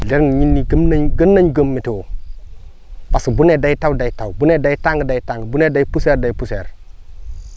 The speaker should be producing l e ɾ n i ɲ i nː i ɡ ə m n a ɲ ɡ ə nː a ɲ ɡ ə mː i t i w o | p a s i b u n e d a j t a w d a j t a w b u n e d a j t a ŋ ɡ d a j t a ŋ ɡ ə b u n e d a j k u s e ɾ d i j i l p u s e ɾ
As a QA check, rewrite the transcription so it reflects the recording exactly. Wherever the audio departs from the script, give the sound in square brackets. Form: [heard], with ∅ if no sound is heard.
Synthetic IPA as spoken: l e ɾ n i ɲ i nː i ɡ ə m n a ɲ ɡ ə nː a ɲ ɡ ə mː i t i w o | p a s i b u n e d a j t a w d a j t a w b u n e d a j t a ŋ ɡ d a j t a ŋ ɡ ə b u n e d a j [p] u s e ɾ d [a] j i [∅] p u s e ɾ